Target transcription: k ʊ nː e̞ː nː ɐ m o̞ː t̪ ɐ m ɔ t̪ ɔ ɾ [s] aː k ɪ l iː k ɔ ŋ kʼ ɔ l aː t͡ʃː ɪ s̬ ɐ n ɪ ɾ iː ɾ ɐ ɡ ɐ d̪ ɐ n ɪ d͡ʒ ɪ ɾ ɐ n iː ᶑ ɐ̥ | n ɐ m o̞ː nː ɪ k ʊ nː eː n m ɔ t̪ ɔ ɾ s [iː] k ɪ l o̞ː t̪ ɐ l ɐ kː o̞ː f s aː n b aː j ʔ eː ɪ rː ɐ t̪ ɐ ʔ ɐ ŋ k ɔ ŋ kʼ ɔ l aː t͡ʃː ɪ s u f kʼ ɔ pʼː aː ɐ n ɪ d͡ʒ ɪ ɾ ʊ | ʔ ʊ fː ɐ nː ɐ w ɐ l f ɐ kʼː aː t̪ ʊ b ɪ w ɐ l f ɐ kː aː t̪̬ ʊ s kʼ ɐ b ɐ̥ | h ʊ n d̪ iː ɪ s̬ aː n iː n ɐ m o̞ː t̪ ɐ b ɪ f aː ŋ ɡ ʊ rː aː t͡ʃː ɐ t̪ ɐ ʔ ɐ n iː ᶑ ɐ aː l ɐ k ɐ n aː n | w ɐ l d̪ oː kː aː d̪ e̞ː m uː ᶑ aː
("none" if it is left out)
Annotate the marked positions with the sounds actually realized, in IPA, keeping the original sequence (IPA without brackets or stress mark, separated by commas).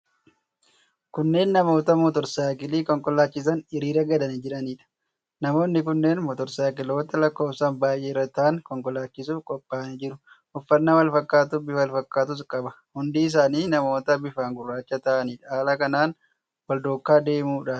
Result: s, aː